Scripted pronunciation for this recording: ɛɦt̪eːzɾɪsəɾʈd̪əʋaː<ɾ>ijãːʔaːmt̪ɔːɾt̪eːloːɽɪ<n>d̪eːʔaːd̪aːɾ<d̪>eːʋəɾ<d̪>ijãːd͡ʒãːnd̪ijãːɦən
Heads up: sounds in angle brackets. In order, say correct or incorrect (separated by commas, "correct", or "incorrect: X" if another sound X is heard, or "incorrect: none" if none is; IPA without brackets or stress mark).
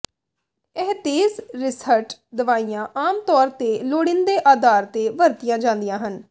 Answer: incorrect: none, correct, incorrect: t̪, incorrect: t̪